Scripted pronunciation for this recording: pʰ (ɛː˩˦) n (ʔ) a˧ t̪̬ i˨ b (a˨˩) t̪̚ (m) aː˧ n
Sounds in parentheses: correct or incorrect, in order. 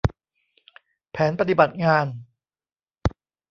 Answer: correct, incorrect: p, correct, incorrect: ŋ

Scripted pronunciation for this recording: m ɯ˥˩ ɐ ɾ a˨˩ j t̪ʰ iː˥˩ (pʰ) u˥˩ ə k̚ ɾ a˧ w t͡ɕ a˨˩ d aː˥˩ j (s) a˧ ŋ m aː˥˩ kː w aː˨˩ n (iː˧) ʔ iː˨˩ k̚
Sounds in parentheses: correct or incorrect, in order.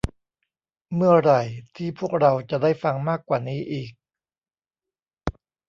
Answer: correct, incorrect: f, incorrect: iː˦˥

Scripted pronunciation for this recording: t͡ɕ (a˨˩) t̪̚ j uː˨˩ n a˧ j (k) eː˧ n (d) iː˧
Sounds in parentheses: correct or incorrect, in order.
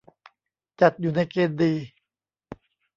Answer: correct, correct, correct

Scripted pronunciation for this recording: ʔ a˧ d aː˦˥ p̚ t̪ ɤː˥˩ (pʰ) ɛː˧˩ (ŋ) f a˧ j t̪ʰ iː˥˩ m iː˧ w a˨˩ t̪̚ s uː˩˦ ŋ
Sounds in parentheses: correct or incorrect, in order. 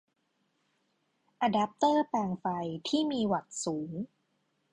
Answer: incorrect: p, correct

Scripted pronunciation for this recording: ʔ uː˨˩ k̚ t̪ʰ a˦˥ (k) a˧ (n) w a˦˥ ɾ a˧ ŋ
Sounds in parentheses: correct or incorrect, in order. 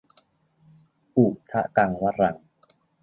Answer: correct, incorrect: ŋ

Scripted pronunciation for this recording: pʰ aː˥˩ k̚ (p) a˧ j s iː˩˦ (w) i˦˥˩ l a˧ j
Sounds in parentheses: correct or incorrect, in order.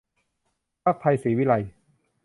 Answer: incorrect: pʰ, correct

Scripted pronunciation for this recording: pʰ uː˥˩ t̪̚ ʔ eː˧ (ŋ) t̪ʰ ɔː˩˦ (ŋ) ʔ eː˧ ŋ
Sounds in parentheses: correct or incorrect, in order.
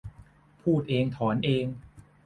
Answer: correct, incorrect: n

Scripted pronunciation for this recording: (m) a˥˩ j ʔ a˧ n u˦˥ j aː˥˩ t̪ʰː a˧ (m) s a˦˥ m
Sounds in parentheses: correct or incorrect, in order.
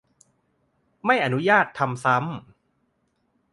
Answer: correct, correct

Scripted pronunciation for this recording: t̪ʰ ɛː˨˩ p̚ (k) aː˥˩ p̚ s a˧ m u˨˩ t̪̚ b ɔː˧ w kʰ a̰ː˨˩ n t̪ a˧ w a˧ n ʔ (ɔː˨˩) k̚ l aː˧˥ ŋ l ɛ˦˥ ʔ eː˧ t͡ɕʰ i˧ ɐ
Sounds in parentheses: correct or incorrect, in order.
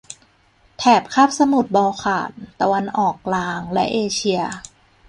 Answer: incorrect: kʰ, correct

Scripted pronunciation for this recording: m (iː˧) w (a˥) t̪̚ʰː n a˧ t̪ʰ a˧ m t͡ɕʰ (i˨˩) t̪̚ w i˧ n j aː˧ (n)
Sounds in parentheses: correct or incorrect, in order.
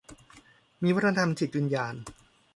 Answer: correct, correct, correct, correct

